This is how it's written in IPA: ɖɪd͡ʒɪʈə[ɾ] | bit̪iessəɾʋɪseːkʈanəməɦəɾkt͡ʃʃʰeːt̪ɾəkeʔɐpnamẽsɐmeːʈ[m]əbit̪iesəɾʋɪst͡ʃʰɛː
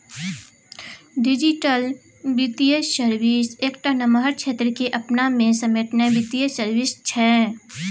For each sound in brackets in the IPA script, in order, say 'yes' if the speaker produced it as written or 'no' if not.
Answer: no, no

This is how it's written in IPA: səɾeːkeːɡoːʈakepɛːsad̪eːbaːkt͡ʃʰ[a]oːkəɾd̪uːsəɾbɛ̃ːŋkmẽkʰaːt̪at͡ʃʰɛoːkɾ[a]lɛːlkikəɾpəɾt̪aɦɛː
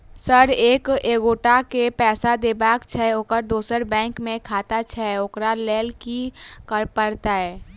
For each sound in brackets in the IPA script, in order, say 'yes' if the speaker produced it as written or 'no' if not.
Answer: no, yes

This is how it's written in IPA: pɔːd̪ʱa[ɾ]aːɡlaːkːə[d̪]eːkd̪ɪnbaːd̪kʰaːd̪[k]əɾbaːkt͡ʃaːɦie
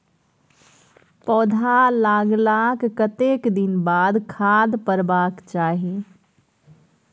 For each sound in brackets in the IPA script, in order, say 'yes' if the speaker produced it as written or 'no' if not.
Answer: no, no, no

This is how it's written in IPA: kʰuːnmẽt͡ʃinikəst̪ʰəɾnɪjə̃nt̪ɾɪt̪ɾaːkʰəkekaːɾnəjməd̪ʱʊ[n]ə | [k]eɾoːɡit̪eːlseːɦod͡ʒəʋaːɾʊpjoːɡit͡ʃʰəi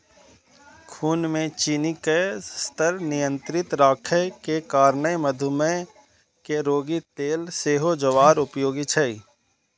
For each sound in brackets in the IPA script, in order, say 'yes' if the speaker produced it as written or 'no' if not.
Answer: no, yes

